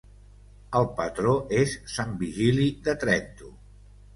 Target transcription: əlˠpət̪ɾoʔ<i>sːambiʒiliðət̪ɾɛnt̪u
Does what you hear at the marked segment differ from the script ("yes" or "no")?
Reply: yes